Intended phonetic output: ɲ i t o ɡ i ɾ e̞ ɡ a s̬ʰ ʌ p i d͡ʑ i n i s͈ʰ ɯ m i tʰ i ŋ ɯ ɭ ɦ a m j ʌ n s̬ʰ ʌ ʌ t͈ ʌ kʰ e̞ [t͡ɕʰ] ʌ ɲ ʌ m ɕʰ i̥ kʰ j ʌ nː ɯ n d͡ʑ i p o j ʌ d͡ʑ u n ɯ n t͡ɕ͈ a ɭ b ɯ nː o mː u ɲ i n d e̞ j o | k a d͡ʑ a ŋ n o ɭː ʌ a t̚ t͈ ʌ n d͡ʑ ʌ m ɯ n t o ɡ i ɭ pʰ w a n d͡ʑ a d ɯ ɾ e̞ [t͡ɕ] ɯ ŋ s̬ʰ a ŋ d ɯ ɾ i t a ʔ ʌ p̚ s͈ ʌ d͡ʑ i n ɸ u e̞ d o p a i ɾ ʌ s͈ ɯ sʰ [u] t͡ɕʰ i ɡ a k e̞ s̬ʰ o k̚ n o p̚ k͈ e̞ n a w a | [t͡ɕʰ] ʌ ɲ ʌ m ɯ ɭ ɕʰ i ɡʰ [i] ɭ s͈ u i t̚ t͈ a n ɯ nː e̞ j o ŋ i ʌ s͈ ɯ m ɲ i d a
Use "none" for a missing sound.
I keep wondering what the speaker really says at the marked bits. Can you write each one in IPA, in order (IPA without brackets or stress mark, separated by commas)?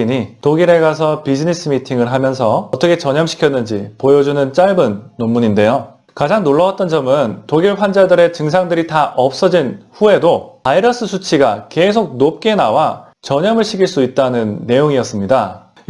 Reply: t͡ɕ, t͡ɕ, u, t͡ɕ, i